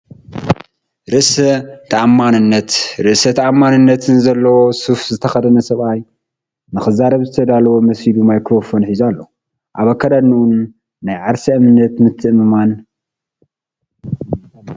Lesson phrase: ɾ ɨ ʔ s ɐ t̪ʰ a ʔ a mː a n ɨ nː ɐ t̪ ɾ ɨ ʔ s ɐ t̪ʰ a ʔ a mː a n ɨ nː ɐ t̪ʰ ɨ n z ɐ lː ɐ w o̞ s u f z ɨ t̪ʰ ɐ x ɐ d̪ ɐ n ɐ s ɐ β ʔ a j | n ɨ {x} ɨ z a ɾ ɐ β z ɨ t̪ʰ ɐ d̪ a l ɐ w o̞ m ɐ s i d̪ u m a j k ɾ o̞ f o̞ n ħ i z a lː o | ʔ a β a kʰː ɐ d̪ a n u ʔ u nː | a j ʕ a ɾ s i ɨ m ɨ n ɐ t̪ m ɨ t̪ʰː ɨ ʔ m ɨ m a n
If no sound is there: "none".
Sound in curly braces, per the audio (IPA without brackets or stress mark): x